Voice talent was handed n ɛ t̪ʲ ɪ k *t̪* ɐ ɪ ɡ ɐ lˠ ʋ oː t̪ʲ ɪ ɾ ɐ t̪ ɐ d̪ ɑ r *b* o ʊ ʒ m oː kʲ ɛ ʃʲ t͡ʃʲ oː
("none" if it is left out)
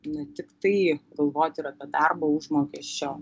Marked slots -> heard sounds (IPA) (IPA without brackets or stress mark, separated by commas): t̪, b